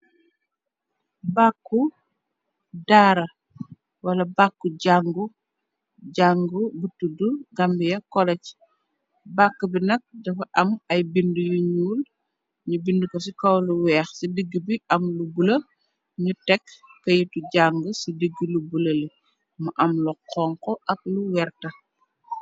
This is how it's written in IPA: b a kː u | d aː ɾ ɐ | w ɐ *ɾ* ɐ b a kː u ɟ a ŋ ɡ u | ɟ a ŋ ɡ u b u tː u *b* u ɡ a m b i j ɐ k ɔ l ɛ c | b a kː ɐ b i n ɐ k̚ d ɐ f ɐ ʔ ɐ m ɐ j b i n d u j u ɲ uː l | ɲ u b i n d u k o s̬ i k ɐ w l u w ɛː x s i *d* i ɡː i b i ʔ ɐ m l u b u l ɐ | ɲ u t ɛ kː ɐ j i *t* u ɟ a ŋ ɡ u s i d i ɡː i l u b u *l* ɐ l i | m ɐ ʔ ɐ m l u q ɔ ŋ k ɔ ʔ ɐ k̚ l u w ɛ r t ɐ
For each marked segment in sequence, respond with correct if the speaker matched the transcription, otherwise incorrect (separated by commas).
incorrect, incorrect, correct, correct, correct